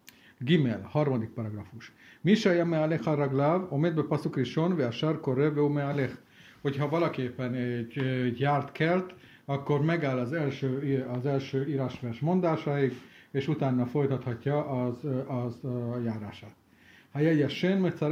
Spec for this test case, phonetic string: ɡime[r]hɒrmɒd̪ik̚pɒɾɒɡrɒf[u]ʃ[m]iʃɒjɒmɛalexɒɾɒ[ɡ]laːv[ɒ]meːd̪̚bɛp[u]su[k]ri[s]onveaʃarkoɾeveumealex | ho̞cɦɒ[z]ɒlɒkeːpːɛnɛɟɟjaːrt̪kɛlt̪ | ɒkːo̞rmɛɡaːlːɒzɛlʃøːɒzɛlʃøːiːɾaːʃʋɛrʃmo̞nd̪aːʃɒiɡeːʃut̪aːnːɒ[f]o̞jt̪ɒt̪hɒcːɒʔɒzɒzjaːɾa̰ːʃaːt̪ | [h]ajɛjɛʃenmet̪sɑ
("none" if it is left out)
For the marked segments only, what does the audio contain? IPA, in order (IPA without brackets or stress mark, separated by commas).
l, u, m, ɡ, o, ɒ, k, ʃ, v, f, h